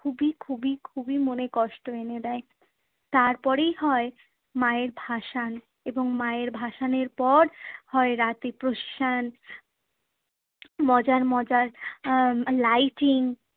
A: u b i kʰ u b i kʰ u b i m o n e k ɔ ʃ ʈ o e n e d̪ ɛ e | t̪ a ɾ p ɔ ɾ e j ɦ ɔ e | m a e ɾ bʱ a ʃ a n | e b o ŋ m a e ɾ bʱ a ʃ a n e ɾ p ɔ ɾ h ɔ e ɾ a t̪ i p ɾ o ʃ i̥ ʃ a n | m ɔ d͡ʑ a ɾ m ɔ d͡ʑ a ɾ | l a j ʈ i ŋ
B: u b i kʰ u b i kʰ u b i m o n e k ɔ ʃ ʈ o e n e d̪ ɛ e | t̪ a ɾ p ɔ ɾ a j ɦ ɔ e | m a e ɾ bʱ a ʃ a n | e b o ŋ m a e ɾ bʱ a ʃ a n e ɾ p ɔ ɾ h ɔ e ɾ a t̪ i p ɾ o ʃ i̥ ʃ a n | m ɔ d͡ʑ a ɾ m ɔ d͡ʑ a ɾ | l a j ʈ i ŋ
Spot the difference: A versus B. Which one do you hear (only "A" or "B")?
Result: A